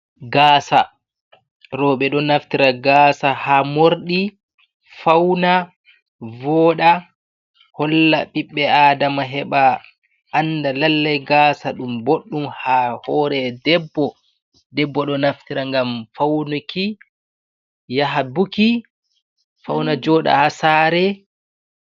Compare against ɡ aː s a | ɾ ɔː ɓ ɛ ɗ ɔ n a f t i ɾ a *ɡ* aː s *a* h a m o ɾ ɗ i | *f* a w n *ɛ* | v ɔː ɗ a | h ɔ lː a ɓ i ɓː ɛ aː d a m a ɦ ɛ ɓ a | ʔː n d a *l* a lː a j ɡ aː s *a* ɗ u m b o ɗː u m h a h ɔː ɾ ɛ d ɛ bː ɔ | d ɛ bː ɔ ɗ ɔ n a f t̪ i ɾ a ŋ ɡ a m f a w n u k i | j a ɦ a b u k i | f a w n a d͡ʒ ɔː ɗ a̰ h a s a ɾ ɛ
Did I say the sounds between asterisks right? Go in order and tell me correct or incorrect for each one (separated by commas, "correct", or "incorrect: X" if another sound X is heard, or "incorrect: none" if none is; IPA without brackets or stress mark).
correct, correct, correct, incorrect: a, correct, correct